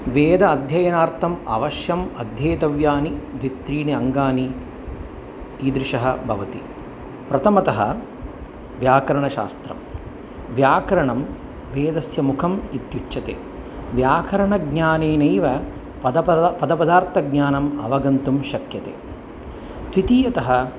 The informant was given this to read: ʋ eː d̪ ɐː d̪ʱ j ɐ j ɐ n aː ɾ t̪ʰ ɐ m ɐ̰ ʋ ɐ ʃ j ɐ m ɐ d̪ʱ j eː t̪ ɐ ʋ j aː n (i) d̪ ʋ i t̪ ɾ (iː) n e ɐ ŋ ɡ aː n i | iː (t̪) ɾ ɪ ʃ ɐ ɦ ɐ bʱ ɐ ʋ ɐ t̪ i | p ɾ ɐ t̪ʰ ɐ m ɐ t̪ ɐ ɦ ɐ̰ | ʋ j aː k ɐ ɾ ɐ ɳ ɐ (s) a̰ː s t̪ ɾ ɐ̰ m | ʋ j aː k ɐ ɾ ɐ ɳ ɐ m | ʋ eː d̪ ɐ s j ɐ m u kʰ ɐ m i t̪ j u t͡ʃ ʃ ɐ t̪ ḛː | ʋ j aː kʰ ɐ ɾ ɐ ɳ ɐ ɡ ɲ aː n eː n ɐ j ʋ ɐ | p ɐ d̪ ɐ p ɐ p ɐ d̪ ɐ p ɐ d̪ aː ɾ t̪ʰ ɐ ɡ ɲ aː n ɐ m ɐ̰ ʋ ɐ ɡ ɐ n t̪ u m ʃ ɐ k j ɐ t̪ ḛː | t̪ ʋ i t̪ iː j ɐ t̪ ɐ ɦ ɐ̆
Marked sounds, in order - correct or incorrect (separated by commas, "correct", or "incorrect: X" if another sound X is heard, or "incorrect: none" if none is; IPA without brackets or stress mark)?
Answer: correct, correct, incorrect: d̪, incorrect: ʃ